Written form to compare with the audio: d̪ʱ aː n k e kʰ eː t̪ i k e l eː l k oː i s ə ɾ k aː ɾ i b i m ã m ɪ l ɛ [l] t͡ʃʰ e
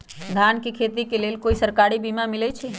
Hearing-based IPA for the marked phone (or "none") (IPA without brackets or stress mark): none